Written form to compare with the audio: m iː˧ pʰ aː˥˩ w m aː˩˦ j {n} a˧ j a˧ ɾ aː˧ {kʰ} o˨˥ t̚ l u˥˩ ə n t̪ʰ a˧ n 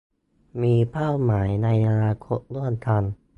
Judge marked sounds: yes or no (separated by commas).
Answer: yes, yes